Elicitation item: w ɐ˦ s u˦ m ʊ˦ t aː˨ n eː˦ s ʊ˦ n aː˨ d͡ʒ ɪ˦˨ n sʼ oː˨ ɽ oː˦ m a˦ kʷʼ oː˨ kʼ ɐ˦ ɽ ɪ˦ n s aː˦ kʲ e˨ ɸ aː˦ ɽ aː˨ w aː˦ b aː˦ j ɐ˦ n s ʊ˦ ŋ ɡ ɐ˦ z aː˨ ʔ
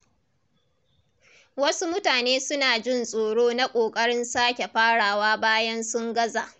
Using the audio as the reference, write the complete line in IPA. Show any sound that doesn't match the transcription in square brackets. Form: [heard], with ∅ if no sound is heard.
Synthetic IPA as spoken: w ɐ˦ s u˦ m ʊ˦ t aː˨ n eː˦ s ʊ˦ n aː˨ d͡ʒ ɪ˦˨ n sʼ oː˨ ɽ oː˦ [n] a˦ kʷʼ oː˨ kʼ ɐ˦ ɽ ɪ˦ n s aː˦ kʲ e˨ ɸ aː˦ ɽ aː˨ w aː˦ b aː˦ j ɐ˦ n s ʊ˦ ŋ ɡ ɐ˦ z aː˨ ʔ